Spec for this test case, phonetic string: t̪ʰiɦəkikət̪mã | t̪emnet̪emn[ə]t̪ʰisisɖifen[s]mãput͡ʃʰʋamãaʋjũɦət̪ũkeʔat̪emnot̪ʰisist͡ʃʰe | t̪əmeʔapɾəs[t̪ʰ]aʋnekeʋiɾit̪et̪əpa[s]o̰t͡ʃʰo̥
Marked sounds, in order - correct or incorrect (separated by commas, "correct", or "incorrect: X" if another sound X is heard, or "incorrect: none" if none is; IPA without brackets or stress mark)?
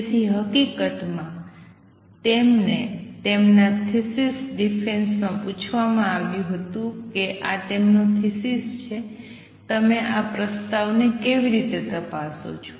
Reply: incorrect: a, correct, incorrect: t̪, correct